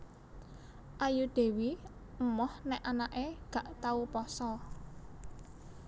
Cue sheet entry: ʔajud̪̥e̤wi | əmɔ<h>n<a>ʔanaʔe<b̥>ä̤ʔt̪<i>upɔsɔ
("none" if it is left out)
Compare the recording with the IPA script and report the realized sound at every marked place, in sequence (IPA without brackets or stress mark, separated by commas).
h, ɛ, ɡ̥, a